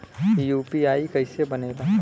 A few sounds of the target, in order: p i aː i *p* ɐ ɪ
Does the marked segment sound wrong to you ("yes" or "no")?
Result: yes